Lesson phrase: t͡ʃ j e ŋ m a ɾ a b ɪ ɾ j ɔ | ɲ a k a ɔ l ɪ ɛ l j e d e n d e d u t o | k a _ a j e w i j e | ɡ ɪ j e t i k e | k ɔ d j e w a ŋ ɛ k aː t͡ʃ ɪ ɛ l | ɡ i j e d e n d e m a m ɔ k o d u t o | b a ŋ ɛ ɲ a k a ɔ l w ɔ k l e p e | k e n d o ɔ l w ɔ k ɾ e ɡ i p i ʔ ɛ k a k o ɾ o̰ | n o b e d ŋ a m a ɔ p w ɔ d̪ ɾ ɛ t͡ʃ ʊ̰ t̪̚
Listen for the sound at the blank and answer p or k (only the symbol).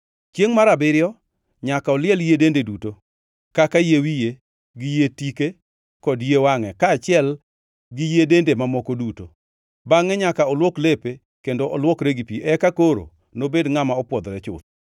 k